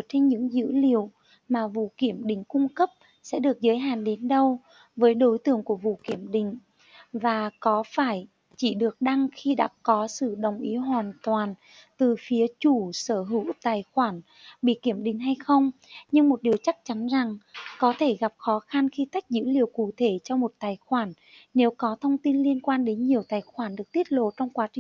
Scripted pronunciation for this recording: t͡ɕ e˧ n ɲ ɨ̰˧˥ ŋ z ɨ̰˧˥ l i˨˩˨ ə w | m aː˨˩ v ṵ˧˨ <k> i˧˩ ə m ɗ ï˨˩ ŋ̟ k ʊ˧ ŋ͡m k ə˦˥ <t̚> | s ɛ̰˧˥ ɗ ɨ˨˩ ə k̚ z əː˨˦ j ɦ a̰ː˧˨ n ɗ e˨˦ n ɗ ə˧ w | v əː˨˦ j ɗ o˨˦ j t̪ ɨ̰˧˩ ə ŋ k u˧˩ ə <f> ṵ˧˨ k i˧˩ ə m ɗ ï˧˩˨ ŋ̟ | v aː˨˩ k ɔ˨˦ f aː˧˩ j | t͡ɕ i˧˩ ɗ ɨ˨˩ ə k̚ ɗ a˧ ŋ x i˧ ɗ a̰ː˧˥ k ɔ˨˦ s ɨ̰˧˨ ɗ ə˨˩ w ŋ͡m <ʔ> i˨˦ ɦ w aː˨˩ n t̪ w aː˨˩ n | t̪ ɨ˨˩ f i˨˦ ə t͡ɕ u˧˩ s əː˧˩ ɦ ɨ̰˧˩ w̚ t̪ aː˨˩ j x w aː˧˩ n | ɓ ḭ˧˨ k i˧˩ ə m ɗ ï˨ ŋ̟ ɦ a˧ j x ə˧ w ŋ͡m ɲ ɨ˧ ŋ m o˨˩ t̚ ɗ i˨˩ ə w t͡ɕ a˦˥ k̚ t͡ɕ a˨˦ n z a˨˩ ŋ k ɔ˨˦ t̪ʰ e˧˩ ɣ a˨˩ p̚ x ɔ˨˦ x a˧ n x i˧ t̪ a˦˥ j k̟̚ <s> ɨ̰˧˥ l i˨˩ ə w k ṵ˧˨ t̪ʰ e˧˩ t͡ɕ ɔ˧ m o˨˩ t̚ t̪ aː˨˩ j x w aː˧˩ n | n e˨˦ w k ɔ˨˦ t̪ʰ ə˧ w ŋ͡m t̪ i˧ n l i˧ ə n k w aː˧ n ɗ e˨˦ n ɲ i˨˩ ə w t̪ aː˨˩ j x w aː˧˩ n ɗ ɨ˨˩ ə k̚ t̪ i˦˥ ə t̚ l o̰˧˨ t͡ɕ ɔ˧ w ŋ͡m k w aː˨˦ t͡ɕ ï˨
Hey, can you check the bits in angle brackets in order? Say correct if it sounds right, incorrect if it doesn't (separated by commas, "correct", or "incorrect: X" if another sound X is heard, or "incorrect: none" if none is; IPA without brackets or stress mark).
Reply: correct, incorrect: p̚, incorrect: v, correct, incorrect: z